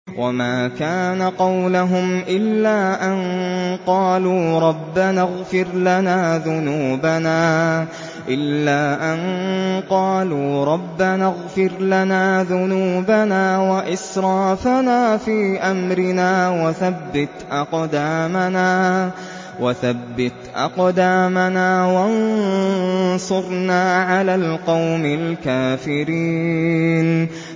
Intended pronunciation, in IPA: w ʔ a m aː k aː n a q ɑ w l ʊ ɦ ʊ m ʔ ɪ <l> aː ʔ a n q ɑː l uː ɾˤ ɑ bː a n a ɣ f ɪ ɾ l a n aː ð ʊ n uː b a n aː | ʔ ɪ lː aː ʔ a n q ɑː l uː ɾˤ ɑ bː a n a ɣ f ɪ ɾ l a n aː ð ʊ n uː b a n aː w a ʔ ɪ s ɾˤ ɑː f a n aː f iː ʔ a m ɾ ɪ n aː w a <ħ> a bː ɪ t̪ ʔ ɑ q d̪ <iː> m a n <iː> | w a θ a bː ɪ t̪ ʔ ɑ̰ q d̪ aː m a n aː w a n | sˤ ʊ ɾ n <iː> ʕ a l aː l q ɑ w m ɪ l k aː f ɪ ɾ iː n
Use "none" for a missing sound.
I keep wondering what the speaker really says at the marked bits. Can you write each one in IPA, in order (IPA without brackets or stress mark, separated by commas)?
lː, θ, aː, aː, aː